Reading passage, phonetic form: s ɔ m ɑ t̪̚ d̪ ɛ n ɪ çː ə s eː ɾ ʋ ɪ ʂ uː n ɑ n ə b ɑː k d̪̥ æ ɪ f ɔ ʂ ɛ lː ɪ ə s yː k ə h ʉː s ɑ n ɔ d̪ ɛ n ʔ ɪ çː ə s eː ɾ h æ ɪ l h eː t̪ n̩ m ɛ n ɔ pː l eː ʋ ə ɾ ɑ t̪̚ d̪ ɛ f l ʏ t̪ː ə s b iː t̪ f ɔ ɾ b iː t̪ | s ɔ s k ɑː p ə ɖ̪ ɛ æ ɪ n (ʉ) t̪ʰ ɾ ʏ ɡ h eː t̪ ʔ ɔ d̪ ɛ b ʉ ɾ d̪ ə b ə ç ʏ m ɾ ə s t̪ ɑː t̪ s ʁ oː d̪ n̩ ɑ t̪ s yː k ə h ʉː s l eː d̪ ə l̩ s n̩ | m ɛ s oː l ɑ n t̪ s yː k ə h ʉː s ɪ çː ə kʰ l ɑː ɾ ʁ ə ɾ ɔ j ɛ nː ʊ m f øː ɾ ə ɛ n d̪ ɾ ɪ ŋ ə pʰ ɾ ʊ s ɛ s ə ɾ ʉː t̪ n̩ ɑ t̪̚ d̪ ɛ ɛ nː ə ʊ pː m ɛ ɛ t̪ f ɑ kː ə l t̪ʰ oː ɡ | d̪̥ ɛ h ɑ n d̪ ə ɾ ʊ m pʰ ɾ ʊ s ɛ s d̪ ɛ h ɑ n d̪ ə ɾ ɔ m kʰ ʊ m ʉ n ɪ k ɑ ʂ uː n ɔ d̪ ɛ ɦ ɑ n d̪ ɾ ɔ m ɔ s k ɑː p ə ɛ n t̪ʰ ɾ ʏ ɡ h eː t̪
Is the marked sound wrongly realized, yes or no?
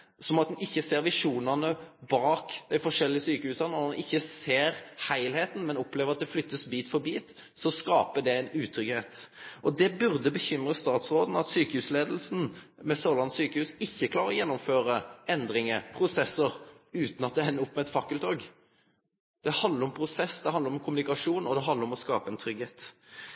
yes